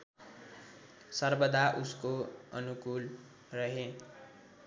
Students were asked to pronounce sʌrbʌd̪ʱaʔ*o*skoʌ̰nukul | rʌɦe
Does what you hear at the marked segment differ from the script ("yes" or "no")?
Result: yes